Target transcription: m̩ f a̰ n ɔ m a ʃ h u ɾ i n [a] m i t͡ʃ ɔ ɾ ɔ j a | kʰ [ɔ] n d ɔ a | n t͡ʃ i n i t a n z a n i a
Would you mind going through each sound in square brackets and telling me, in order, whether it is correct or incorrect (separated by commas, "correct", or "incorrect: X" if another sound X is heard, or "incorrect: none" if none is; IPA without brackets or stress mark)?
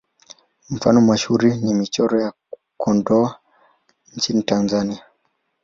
incorrect: i, correct